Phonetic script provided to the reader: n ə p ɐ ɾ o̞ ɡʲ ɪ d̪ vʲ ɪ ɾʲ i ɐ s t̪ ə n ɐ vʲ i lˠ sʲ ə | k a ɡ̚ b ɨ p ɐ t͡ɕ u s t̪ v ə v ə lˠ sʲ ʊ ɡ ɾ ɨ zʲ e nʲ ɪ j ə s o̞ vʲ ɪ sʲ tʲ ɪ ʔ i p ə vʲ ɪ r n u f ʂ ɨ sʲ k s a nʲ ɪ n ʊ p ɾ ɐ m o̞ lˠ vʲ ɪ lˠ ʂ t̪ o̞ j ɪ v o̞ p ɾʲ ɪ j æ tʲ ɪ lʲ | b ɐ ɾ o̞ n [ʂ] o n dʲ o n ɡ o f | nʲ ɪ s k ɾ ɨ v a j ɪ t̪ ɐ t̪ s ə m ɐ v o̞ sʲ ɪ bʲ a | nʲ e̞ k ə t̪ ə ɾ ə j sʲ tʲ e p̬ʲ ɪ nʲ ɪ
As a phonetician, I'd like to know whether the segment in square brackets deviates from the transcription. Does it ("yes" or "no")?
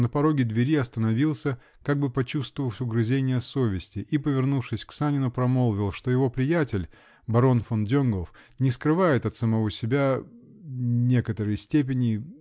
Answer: yes